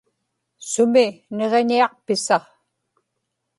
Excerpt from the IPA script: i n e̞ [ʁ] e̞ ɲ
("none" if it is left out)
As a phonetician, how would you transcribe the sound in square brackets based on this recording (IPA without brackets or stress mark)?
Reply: ʁ